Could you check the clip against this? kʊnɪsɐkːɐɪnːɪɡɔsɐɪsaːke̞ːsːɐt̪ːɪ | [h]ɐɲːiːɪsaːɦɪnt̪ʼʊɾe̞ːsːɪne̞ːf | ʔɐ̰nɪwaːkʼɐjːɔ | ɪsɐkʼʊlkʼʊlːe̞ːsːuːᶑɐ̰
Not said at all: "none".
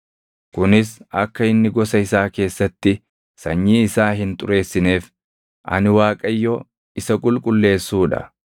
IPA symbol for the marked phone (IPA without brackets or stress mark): s